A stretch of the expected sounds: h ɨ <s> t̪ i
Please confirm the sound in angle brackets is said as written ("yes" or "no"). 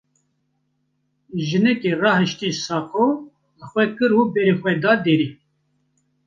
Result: no